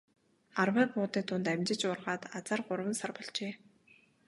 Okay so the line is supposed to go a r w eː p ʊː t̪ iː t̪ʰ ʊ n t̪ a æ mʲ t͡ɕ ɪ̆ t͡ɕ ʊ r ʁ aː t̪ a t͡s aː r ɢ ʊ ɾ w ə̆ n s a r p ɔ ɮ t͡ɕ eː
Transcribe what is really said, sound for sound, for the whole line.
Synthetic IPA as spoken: a r w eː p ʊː t̪ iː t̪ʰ ʊ n t̪ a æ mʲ t͡ɕ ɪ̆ t͡ɕ ʊ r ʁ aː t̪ a t͡s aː r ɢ ʊ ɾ w ə̆ n s a r p ɔ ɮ t͡ɕ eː